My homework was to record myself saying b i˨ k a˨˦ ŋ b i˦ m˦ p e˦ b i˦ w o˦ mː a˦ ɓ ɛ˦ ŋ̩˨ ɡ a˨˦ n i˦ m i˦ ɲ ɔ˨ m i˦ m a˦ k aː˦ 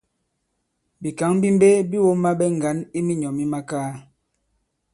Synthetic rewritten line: b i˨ k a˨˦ ŋ b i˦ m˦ b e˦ b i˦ w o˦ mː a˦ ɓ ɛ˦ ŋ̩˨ ɡ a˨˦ n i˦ m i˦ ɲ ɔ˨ m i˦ m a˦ k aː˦